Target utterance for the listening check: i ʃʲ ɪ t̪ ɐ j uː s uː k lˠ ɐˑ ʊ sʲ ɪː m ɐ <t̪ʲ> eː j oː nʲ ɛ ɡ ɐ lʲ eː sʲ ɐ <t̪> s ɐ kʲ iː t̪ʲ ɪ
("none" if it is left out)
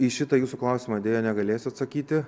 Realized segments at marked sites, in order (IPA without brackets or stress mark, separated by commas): d̪ʲ, t̪